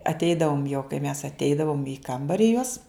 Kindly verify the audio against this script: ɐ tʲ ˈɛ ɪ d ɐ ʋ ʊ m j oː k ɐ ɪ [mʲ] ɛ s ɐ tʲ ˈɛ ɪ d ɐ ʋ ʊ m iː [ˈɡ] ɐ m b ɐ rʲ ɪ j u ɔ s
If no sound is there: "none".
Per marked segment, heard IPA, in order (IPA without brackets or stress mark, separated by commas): mʲ, k